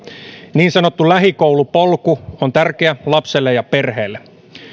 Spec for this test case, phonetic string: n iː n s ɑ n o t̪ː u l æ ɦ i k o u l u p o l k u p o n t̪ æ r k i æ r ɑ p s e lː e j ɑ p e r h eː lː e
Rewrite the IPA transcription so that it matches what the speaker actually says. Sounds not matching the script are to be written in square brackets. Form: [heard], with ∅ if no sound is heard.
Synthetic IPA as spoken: n iː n s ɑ n o t̪ː u l æ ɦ i k o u l u p o l k u [∅] o n t̪ æ r k [e] æ [l] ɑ p s e lː e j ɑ p e r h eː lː e

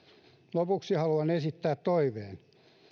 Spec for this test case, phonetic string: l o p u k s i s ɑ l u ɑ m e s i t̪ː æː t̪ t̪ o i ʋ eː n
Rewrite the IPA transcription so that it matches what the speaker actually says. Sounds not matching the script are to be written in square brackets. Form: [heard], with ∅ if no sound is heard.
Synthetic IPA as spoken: l o p u k s i [h] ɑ l u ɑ [n] e s i t̪ː æː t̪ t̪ o i ʋ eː n

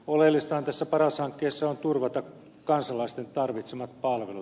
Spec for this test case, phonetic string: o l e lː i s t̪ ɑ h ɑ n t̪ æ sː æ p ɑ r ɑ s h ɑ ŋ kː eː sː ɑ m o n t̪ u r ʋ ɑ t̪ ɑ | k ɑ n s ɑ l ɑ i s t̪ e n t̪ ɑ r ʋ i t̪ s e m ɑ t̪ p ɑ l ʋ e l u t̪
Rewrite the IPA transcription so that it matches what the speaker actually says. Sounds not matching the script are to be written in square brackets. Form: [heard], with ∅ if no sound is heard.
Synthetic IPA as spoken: o l e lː i s t̪ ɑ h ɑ n t̪ æ sː æ p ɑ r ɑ s h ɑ ŋ kː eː sː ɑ [∅] o n t̪ u r ʋ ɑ t̪ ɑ | k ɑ n s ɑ l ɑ i s t̪ e n t̪ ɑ r ʋ i t̪ s e m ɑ t̪ p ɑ l ʋ e l u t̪

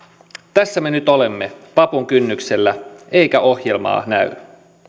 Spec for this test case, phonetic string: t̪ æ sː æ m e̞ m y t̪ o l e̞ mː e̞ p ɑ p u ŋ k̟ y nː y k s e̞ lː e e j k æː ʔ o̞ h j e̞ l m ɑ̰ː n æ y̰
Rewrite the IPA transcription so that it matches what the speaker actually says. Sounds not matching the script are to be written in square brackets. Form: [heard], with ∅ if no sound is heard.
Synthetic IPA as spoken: t̪ æ sː æ m e̞ [n] y t̪ o l e̞ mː e̞ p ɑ p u ŋ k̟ y nː y k s e̞ lː [æ] e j k [æ] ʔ o̞ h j e̞ l m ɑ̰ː n æ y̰

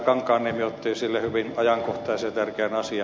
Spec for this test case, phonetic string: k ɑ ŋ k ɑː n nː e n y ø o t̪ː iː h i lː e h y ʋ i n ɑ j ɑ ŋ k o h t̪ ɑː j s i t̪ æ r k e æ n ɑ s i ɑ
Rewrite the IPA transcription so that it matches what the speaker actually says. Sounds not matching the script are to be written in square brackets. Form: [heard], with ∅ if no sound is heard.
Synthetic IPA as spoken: k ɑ ŋ k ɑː n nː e [m] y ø o t̪ː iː [s] i lː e h y ʋ i n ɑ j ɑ ŋ k o h t̪ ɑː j s [e] t̪ æ r k e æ n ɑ s i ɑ

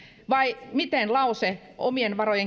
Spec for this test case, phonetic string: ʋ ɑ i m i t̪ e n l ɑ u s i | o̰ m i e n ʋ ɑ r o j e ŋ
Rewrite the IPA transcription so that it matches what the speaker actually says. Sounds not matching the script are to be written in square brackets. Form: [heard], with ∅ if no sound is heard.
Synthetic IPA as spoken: ʋ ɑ i m i t̪ e n l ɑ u s [e] | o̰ m i e n ʋ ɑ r o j e ŋ

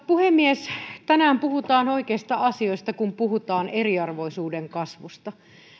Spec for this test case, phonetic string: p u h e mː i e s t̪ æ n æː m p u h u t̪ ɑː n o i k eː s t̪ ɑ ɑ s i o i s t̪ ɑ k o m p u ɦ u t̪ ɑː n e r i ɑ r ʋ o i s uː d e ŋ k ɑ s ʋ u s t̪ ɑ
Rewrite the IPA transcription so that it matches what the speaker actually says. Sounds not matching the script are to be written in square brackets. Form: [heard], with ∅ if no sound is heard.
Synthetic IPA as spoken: p u h e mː i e s t̪ æ n æː m p u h u t̪ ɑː n o i k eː s t̪ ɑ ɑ s i o i s t̪ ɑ k [u] m p u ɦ u t̪ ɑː n e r i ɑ r ʋ o i s uː d e ŋ k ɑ s ʋ u s t̪ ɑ

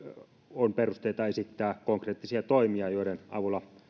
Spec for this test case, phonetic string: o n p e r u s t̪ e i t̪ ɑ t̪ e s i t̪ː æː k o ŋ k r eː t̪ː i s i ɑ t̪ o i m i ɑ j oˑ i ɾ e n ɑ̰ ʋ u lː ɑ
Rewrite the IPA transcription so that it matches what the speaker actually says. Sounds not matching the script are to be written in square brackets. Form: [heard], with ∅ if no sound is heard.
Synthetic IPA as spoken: o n p e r u s t̪ e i t̪ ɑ [∅] e s i t̪ː æː k o ŋ k r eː t̪ː i s i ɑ t̪ o i m i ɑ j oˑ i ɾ e n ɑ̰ ʋ u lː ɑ

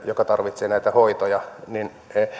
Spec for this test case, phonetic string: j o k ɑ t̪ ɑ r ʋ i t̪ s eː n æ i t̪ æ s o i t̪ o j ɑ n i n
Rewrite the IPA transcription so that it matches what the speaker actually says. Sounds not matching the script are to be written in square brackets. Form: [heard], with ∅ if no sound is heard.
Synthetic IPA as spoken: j o k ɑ t̪ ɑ r ʋ i t̪ s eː n æ i t̪ æ [h] o i t̪ o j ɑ n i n

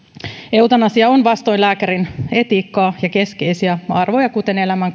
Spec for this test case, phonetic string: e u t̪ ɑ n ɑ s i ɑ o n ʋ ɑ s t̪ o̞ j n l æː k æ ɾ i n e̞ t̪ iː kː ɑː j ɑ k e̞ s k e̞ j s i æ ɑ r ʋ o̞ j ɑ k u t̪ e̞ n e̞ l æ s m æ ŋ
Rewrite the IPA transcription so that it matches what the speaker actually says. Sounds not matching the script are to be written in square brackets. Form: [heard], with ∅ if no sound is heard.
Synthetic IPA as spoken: e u t̪ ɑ n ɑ s i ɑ o n ʋ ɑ s t̪ o̞ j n l æː k æ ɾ i n e̞ t̪ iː kː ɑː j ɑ k e̞ s k e̞ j s i æ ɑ r ʋ o̞ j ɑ k u t̪ e̞ n e̞ l æ [∅] m æ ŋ

